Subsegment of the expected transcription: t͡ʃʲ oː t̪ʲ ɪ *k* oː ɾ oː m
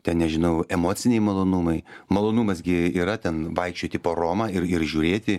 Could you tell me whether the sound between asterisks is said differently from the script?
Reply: yes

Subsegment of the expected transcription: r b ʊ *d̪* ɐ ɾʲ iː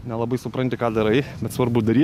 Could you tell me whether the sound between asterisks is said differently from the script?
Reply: no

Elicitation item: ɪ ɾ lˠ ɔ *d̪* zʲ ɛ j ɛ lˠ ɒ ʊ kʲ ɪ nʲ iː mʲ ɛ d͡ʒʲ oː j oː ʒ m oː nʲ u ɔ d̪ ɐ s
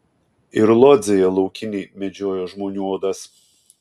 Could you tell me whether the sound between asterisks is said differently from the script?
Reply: no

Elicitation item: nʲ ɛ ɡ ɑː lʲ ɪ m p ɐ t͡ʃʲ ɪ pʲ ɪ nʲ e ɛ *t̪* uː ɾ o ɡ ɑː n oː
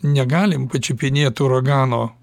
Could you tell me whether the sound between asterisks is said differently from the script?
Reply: no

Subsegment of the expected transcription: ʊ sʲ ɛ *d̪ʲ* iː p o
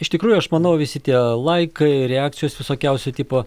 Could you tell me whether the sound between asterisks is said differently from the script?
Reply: yes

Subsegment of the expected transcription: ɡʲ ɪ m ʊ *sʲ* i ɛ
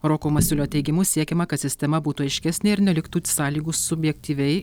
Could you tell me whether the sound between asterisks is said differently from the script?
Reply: no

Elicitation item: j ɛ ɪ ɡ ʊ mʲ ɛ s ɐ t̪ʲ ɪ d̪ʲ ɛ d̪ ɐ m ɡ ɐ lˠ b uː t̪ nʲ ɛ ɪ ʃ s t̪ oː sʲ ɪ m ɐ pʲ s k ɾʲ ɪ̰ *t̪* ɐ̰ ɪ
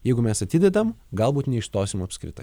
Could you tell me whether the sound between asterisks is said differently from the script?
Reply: no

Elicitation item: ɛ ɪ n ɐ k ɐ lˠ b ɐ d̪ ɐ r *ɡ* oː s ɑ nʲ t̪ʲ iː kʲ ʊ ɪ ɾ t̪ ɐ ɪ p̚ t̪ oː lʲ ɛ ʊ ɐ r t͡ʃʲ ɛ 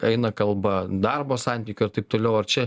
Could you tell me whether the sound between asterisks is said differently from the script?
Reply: yes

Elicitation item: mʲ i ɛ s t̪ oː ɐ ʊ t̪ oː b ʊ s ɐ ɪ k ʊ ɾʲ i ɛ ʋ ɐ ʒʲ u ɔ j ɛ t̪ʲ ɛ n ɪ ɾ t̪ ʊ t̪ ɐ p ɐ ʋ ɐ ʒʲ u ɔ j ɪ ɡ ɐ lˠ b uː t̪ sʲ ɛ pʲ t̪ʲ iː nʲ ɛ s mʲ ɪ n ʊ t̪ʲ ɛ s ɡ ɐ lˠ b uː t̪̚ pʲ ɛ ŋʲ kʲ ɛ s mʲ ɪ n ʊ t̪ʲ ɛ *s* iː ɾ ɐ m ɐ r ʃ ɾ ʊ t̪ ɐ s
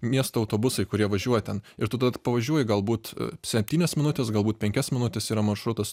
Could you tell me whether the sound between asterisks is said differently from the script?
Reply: no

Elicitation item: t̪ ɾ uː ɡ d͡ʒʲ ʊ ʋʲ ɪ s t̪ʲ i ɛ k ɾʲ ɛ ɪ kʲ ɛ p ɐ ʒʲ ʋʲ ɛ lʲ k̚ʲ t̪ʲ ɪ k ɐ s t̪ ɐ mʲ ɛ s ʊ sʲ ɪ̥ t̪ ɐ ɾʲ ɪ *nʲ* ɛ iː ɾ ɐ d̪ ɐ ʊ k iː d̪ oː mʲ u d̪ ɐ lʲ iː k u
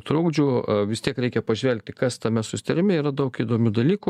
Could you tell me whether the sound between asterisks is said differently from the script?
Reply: yes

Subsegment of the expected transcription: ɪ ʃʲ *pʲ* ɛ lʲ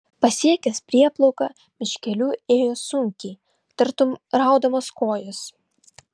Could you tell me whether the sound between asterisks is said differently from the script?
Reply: yes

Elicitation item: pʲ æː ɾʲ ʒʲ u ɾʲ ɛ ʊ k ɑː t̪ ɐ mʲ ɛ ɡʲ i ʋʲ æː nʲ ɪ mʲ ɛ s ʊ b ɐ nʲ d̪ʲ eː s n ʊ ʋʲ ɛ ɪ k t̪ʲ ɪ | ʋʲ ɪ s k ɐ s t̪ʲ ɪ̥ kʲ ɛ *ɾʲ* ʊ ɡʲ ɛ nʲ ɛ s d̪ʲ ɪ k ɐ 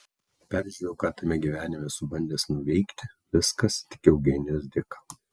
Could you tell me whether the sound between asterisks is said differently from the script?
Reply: yes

